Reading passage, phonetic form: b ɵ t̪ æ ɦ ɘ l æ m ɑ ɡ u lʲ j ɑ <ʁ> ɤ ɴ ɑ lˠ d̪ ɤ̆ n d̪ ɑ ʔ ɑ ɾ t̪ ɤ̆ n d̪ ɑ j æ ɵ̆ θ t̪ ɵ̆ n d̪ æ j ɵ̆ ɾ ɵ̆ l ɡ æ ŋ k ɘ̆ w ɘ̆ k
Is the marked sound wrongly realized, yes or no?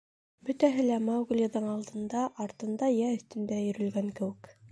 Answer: yes